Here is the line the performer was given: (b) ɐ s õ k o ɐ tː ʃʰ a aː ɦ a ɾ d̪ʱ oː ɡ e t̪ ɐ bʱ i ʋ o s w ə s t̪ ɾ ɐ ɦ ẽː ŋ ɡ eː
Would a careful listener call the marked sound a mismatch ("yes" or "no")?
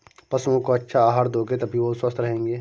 yes